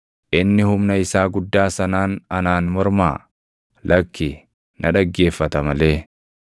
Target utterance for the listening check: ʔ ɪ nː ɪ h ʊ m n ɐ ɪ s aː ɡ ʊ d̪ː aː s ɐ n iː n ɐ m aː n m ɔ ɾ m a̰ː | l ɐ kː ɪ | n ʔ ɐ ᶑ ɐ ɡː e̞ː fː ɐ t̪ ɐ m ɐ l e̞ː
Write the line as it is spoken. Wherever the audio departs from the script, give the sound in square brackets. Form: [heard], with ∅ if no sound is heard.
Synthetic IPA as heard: ʔ ɪ nː ɪ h ʊ m n ɐ ɪ s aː ɡ ʊ d̪ː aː s ɐ n [aː] n ɐ [n] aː n m ɔ ɾ m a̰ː | l ɐ kː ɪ | n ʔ ɐ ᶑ ɐ ɡː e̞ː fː ɐ t̪ ɐ m ɐ l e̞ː